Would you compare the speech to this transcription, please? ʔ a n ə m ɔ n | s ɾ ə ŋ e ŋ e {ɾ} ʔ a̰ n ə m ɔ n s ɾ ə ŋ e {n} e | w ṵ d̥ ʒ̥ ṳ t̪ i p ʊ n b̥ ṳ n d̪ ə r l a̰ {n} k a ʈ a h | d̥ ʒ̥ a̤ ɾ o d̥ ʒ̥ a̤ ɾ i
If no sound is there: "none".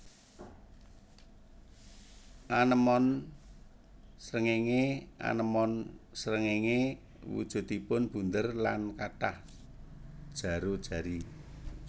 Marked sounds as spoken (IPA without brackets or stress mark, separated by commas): none, ŋ, n